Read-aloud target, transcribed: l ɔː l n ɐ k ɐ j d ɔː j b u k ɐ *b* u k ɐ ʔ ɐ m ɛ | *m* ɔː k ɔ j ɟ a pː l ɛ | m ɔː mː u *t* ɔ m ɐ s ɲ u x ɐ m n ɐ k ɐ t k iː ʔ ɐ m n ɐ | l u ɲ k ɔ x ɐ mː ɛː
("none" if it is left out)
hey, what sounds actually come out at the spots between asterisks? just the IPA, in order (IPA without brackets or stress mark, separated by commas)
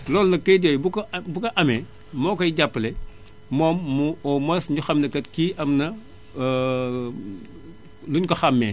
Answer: b, m, none